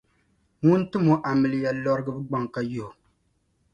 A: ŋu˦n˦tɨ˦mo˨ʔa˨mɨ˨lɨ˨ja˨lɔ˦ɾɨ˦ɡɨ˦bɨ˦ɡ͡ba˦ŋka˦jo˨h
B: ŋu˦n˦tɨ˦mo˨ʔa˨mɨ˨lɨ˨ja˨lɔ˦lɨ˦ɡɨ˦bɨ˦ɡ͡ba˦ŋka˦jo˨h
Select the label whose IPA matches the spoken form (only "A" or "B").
A